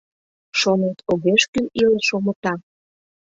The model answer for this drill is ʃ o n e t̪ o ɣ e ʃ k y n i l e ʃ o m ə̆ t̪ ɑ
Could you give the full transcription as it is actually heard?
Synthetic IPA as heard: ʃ o n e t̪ o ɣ e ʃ k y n i l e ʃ o m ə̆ t̪ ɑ